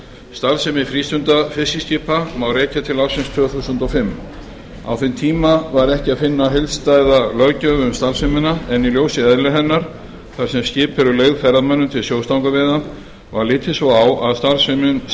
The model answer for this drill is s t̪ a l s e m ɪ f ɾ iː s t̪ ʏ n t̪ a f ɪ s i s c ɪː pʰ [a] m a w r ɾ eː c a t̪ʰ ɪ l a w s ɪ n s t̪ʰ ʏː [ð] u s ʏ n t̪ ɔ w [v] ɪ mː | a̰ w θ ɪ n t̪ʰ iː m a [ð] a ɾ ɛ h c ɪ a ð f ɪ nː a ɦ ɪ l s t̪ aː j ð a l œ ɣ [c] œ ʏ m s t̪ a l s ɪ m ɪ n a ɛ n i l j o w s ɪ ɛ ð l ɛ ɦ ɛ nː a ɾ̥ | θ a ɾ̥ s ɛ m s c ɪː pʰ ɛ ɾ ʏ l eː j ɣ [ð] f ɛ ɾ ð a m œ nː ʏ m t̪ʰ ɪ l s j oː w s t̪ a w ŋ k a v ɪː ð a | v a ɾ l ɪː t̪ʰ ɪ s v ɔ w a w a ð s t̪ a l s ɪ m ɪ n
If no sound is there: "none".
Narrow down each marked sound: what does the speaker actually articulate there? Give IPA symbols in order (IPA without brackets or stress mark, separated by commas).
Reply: a, θ, f, v, c, ð